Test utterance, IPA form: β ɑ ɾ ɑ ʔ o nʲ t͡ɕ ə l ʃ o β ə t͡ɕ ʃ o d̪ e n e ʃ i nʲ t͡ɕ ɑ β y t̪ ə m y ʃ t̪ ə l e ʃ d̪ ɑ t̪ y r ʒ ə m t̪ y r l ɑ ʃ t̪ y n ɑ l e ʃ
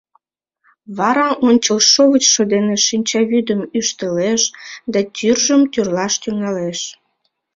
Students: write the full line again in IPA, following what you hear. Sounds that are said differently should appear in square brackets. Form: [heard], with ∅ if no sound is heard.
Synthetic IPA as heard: β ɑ ɾ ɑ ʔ o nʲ t͡ɕ ə l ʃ o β ə t͡ɕ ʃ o d̪ e n e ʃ i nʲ t͡ɕ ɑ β y [d̪] ə m y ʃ t̪ ə l e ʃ d̪ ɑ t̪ y r ʒ ə m t̪ y r l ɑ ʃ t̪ y [ŋ] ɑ l e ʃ